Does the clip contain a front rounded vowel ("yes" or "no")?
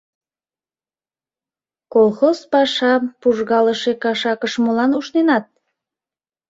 no